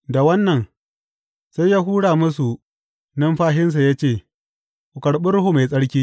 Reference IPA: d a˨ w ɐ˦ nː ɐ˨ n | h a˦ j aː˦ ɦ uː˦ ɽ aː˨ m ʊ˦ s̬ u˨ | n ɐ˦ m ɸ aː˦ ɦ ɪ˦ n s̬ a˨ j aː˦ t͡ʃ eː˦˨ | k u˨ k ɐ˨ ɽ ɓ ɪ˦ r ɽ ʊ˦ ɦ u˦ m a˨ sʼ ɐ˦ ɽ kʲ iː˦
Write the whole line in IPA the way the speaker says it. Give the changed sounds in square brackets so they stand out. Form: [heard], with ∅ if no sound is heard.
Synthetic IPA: d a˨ w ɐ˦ nː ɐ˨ n | [s] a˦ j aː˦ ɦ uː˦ ɽ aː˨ m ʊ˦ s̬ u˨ | n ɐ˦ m ɸ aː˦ ɦ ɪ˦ n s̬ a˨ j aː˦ t͡ʃ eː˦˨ | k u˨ k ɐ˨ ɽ ɓ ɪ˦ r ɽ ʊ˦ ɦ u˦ m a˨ sʼ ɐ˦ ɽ kʲ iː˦